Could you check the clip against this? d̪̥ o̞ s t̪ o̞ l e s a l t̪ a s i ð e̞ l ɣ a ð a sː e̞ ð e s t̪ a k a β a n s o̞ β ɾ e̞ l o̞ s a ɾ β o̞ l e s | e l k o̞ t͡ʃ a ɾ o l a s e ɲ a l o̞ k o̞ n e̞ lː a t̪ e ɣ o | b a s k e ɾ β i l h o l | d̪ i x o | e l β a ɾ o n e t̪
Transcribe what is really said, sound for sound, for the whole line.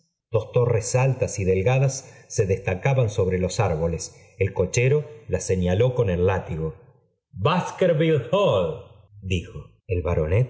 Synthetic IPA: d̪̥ o̞ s t̪ o̞ r e s a l t̪ a s i ð e̞ l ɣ a ð a sː e̞ ð e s t̪ a k a β a n s o̞ β ɾ e̞ l o̞ s a ɾ β o̞ l e s | e l k o̞ t͡ʃ e ɾ o l a s e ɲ a l o̞ k o̞ n e̞ lː a t̪ i ɣ o | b a s k e ɾ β i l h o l | d̪ i x o | e l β a ɾ o n e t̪